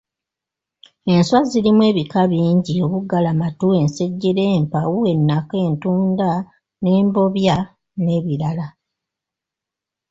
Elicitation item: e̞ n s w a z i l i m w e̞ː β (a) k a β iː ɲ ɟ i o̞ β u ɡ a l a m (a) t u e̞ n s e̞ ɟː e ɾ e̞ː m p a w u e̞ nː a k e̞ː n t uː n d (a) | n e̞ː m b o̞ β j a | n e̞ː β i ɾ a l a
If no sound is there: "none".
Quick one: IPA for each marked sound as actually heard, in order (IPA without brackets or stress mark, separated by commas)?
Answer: i, a, a